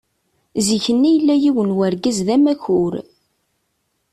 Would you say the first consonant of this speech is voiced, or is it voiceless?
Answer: voiced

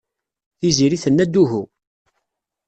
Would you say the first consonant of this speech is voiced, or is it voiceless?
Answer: voiceless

